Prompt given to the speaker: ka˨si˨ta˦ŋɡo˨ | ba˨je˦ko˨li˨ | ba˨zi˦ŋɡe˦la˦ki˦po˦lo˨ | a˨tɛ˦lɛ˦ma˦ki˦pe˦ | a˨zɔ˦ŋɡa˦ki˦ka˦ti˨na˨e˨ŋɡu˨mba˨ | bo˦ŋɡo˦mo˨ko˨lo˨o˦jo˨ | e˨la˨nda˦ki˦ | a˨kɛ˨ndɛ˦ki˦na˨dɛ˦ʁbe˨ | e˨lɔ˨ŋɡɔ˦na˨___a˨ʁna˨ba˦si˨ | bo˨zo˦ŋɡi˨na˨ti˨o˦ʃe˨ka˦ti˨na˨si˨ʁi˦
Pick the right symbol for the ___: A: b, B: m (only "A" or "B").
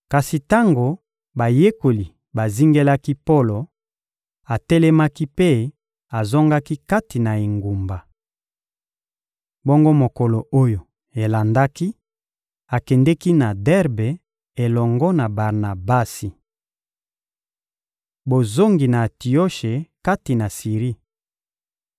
A